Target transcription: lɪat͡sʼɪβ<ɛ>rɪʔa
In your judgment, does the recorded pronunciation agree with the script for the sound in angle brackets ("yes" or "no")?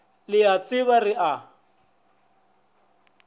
no